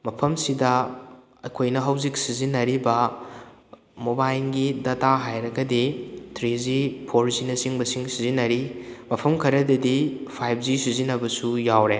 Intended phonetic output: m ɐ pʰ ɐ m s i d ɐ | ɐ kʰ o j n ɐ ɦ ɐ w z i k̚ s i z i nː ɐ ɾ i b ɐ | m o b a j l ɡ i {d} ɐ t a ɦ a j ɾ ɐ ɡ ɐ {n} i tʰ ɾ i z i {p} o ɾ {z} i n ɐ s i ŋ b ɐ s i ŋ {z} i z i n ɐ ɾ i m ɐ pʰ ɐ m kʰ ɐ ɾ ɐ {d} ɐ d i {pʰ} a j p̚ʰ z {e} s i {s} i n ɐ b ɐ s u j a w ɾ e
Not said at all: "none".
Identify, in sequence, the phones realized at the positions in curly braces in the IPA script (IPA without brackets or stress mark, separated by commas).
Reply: d, d, pʰ, z, s, d, pʰ, i, z